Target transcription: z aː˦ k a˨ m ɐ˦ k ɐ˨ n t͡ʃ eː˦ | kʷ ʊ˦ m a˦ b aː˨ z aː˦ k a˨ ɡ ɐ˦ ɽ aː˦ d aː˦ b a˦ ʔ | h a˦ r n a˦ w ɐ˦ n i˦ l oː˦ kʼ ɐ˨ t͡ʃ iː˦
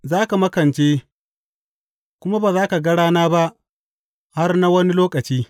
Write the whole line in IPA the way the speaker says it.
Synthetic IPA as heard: z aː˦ k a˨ m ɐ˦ k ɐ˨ n t͡ʃ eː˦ | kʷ ʊ˦ m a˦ b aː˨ z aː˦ k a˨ ɡ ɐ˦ ɽ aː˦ n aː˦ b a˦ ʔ | h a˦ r n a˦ w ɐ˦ n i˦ l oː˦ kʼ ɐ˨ t͡ʃ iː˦